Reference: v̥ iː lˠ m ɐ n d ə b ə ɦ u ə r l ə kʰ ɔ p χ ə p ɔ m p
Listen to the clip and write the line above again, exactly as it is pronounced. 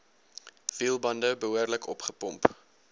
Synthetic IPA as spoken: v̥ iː lˠ b ɐ n d ə b ə ɦ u ə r l ə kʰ ɔ p χ ə p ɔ m p